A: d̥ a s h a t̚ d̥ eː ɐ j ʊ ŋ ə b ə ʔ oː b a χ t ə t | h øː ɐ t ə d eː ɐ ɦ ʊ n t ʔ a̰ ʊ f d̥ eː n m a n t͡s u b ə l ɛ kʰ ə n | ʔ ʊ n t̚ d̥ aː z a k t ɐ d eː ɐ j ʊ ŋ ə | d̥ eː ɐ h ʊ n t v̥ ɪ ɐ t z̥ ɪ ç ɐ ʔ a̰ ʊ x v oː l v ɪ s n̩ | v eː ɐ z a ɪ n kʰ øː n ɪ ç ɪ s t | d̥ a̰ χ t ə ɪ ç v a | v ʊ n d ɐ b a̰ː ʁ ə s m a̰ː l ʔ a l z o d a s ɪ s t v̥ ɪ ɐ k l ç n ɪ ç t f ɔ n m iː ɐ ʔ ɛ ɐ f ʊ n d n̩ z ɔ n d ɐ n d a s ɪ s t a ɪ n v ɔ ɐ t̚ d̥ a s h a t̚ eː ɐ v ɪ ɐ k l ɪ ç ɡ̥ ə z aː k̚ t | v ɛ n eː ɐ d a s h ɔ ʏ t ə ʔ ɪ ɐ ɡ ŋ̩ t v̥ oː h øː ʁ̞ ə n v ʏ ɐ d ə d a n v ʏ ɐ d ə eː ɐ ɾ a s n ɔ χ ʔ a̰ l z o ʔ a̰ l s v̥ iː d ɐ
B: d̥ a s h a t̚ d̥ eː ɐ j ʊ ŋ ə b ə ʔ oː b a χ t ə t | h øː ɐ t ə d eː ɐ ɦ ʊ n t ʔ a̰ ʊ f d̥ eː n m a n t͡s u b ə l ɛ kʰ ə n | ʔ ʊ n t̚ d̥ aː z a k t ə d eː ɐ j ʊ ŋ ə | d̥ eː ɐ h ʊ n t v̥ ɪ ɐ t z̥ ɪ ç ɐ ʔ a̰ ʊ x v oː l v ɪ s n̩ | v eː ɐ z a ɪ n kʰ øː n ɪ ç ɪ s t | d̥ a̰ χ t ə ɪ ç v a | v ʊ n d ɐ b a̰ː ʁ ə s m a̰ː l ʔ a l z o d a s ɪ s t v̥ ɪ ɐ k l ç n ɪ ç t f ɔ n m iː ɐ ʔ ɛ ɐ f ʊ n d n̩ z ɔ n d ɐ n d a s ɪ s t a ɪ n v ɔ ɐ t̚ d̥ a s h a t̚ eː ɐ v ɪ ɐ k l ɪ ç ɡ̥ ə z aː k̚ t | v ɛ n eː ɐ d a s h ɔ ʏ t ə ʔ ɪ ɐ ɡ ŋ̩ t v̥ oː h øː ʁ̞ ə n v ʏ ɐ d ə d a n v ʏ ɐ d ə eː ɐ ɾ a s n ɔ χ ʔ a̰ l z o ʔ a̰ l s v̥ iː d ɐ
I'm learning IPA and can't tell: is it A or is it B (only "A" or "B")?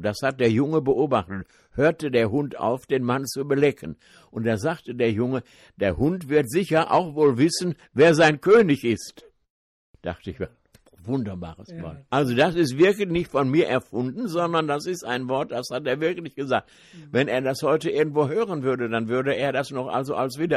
B